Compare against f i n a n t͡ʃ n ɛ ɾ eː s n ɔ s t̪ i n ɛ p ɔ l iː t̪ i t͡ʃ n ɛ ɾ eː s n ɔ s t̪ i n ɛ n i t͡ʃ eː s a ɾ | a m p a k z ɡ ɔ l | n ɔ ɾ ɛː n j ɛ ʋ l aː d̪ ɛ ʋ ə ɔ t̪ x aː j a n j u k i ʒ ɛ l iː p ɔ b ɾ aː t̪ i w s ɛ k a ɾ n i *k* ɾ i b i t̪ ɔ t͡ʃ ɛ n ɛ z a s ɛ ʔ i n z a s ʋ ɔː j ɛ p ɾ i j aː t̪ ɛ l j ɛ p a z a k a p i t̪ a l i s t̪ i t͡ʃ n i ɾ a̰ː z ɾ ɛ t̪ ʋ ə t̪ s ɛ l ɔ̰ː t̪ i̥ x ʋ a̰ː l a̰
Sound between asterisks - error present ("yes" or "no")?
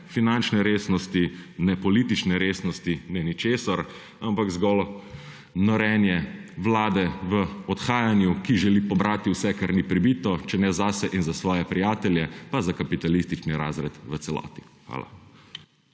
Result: yes